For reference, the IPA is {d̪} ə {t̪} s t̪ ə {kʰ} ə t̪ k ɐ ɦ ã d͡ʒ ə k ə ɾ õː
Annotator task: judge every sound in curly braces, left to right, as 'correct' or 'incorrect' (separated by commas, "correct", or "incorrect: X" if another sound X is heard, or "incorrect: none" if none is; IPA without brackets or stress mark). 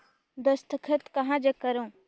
correct, incorrect: none, correct